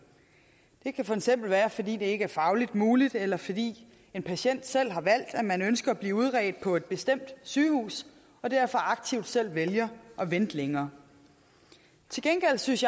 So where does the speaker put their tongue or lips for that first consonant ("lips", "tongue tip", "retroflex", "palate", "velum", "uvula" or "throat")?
tongue tip